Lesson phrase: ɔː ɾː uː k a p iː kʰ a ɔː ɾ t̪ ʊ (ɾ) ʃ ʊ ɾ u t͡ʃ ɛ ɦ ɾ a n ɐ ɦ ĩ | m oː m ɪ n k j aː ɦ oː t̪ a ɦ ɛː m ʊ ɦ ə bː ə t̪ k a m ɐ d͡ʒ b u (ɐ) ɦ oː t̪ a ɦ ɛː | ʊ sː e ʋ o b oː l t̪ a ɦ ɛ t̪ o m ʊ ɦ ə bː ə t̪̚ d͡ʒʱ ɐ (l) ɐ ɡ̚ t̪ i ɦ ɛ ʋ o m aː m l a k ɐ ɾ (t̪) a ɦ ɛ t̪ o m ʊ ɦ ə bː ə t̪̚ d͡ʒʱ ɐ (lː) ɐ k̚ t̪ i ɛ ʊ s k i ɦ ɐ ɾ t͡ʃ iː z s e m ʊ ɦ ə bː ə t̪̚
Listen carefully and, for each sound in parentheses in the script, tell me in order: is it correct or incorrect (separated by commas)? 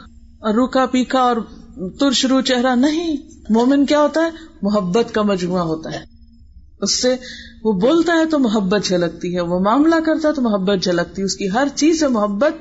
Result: correct, incorrect, correct, correct, incorrect